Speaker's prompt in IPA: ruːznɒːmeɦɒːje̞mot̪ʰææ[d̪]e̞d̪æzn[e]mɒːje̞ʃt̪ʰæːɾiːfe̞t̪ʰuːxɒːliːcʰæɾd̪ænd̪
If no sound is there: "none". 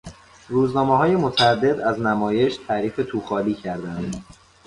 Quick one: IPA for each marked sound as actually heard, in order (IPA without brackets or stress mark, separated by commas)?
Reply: d̪ː, æ